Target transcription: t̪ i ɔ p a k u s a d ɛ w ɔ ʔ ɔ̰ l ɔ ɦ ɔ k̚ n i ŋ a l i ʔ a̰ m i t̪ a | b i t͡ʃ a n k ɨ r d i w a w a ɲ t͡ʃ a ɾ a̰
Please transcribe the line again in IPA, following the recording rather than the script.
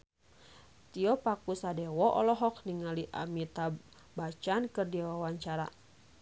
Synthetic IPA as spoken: t̪ i ɔ p a k u s a d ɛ w ɔ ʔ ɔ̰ l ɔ ɦ ɔ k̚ n i ŋ a l i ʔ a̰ m i t̪ a | b a t͡ʃ a n k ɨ r d i w a w a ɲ t͡ʃ a ɾ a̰